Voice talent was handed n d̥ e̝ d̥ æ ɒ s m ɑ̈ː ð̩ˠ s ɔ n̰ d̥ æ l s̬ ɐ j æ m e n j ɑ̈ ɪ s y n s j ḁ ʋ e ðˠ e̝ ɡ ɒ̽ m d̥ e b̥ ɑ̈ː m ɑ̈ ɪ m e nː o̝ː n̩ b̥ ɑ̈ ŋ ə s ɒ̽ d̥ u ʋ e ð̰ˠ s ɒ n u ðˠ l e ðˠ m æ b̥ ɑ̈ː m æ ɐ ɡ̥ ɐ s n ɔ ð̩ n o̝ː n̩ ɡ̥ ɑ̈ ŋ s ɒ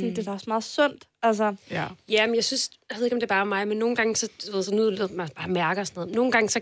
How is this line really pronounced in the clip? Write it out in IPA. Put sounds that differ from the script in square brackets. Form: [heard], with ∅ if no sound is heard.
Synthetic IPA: n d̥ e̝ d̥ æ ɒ s m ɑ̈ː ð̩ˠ s ɔ n̰ d̥ æ l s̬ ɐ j æ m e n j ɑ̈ ɪ s y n s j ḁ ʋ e ðˠ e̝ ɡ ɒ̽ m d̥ e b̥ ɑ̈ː m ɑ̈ ɪ m e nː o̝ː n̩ [ɡ̥] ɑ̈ ŋ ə s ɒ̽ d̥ u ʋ e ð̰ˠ s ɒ n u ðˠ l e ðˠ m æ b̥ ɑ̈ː m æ ɐ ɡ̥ ɐ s n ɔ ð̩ n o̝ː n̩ ɡ̥ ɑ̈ ŋ s ɒ